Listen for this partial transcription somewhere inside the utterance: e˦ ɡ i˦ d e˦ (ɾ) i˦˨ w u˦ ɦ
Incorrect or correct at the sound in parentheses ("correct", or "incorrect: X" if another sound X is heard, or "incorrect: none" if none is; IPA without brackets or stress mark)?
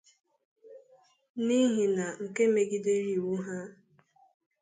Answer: correct